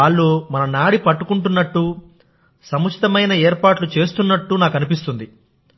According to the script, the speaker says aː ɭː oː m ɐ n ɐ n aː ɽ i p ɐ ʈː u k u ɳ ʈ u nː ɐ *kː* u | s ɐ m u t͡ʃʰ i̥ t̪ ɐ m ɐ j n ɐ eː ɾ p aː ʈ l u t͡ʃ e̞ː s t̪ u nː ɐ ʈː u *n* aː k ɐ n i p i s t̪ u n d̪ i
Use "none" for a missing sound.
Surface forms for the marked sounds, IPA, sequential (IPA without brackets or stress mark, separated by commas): ʈː, n